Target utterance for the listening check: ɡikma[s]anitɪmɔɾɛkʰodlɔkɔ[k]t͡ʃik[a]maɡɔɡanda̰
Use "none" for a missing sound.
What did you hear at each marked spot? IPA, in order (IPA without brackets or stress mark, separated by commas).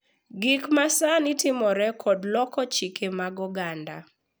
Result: s, none, e